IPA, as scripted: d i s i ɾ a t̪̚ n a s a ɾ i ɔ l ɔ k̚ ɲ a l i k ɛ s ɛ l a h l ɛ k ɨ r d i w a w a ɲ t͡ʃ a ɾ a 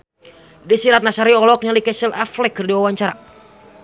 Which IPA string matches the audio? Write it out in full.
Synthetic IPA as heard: d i s i ɾ a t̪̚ n a s a ɾ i ɔ l ɔ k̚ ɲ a l i k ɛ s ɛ l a f l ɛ k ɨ r d i w a w a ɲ t͡ʃ a ɾ a